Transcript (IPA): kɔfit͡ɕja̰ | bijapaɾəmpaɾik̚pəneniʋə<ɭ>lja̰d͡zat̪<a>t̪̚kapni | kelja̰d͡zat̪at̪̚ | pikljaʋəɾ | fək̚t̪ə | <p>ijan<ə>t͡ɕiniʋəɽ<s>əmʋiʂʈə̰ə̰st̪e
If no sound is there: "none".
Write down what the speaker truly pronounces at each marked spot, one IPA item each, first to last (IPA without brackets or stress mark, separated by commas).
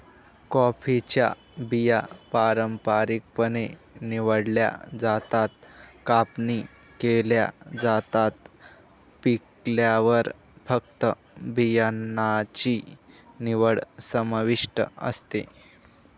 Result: ɽ, a, b, a, s